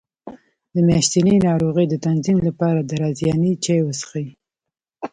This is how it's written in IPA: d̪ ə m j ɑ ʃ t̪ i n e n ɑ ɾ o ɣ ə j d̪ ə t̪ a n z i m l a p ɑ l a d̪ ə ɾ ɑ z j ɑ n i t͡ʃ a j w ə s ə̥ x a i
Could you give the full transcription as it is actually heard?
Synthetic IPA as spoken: d̪ ə m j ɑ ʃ t̪ i n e n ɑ ɾ o ɣ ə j d̪ ə t̪ a n z i m l a p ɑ ɾ a d̪ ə ɾ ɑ z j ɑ n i t͡ʃ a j w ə s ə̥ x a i